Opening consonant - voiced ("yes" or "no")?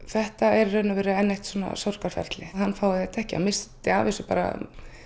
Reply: no